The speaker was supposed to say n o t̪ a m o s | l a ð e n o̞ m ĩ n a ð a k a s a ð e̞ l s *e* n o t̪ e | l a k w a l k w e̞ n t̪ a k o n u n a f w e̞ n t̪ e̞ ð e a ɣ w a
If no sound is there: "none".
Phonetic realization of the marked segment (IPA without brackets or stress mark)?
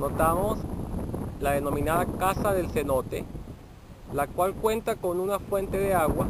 e